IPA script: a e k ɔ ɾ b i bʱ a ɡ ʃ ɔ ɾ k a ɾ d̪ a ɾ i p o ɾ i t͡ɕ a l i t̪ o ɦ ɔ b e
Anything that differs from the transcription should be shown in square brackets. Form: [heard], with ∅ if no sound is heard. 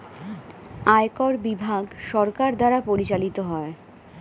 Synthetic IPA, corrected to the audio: a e k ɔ ɾ b i bʱ a ɡ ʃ ɔ ɾ k a ɾ d̪ a ɾ [a] p o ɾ i t͡ɕ a l i t̪ o ɦ ɔ [∅] e